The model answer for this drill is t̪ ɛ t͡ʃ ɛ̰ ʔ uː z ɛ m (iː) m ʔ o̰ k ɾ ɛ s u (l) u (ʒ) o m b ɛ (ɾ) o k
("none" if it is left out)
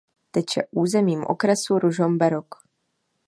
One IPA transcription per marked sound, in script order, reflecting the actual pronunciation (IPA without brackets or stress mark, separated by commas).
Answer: iː, ɾ, ʒ, ɾ